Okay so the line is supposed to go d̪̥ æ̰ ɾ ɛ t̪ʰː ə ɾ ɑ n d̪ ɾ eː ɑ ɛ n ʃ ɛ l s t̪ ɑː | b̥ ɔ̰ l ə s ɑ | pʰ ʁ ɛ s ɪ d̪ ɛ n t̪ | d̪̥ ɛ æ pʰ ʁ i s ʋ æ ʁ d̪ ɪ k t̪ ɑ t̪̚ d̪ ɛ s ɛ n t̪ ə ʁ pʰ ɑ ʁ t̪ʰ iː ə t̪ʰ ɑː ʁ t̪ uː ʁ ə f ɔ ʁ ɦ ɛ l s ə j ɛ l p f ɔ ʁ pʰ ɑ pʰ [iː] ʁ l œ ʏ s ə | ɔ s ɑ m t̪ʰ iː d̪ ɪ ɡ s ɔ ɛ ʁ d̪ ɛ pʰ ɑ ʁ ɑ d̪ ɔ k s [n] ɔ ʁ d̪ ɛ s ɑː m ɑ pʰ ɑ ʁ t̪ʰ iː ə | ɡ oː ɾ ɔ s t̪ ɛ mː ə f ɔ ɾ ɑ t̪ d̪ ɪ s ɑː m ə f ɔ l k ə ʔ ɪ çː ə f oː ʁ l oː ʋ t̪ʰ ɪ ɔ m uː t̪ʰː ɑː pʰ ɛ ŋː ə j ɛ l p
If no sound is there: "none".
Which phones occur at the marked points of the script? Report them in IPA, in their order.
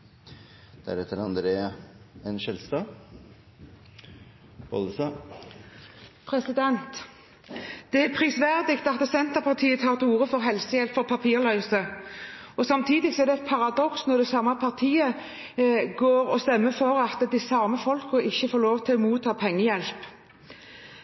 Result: iː, n

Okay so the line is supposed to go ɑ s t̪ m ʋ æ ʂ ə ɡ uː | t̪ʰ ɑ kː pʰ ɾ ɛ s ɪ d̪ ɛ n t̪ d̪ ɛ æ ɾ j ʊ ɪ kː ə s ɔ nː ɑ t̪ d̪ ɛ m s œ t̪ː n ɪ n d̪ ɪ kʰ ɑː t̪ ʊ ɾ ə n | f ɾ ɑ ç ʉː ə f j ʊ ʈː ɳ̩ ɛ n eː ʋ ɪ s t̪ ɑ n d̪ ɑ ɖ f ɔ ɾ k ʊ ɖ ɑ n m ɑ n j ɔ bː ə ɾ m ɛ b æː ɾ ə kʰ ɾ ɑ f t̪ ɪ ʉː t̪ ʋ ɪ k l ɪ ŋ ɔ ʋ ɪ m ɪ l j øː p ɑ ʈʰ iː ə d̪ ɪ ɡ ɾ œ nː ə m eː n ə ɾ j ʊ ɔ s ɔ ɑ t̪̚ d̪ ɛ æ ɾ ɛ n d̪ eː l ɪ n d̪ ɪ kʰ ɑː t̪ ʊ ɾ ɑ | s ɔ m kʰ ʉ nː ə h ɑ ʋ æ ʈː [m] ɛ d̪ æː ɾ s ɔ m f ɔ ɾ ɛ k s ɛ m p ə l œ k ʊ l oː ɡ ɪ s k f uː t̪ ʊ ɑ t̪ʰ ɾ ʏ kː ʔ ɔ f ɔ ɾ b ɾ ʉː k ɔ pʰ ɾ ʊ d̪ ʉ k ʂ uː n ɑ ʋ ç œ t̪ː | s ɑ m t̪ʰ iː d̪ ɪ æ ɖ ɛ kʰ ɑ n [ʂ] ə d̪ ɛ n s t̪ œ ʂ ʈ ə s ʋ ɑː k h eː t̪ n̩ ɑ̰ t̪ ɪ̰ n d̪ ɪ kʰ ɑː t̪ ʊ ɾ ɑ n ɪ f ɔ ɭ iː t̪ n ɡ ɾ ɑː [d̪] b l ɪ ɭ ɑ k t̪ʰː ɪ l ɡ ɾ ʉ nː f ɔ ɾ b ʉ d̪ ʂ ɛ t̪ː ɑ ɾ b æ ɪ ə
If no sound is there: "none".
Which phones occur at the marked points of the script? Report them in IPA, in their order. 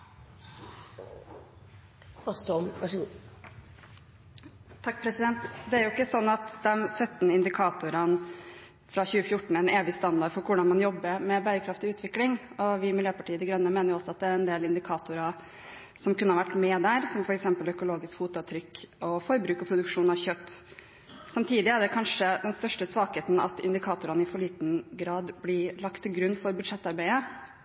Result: m, ʂ, d̪

